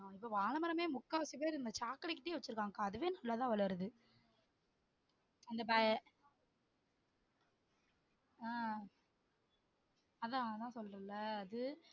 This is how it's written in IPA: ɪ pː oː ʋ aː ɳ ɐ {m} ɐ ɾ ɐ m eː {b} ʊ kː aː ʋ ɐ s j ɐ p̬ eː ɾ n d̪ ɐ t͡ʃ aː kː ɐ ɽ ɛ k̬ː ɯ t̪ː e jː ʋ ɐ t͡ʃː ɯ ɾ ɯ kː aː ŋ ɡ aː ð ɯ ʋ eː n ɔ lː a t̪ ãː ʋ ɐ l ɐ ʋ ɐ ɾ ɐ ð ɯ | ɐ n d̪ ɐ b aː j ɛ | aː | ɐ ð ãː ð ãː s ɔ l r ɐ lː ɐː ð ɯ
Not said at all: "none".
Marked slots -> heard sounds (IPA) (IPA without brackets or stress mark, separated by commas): m, m